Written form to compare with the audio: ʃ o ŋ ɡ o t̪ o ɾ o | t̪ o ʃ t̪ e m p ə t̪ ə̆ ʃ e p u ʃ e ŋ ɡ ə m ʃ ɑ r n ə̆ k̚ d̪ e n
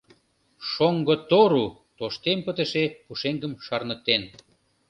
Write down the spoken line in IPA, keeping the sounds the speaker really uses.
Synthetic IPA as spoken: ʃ o ŋ ɡ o t̪ o ɾ u | t̪ o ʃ t̪ e m p ə t̪ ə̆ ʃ e p u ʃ e ŋ ɡ ə m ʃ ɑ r n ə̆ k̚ t̪ e n